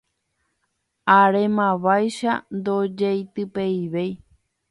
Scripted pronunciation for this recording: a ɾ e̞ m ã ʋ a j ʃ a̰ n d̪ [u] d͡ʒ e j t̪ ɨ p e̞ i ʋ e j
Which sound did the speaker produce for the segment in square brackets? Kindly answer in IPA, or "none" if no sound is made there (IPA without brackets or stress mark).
o